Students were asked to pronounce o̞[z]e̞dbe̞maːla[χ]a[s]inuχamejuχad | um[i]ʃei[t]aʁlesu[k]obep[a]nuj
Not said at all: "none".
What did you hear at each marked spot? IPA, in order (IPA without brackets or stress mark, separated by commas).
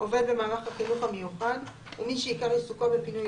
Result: v, χ, χ, i, k, k, i